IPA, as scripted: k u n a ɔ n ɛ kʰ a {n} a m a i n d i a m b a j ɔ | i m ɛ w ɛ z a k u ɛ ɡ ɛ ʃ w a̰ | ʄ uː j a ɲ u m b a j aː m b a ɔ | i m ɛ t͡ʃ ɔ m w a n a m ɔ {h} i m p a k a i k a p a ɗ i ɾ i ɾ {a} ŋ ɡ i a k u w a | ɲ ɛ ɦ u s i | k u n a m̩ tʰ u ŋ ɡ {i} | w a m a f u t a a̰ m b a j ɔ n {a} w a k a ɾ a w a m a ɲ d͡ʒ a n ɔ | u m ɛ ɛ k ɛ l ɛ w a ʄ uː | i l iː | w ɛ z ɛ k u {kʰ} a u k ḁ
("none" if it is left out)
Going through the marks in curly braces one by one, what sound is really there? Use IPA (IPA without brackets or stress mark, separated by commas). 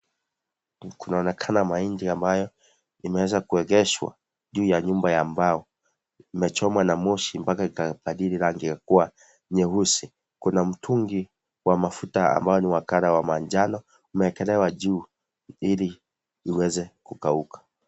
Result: n, ʃ, a, i, i, k